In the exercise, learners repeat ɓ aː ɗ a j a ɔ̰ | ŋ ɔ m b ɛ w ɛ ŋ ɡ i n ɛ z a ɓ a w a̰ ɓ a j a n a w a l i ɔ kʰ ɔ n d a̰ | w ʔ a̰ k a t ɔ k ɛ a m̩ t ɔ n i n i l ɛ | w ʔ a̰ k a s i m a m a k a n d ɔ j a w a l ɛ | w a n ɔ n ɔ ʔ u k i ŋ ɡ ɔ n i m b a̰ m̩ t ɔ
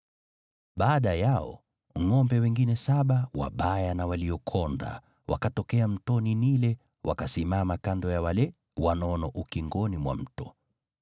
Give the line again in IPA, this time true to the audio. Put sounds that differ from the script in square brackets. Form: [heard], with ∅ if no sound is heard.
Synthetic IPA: ɓ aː ɗ a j a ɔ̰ | ŋ ɔ m b ɛ w ɛ ŋ ɡ i n ɛ [s] a ɓ a w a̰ ɓ a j a n a w a l i ɔ kʰ ɔ n d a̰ | w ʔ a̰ k a t ɔ k ɛ a m̩ t ɔ n i n i l ɛ | w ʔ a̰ k a s i m a m a k a n d ɔ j a w a l ɛ | w a n ɔ n ɔ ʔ u k i ŋ ɡ ɔ n i m [w] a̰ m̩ t ɔ